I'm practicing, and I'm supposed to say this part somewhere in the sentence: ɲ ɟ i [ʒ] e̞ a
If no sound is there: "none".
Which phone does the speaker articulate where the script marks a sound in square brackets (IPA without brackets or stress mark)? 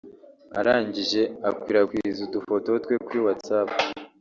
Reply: ʒ